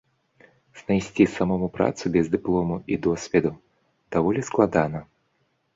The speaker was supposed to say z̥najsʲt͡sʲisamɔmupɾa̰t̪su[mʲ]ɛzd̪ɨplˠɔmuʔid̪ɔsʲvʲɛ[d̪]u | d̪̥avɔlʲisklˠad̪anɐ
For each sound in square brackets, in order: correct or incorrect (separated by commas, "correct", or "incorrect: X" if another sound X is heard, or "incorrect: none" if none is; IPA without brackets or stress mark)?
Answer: incorrect: bʲ, correct